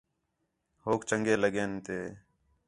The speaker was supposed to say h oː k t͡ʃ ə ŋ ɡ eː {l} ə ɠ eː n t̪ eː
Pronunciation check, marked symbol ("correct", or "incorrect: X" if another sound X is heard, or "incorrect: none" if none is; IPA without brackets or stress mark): correct